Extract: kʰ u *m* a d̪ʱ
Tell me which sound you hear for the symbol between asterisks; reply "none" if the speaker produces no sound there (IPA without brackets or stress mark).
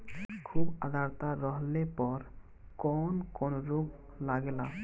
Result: b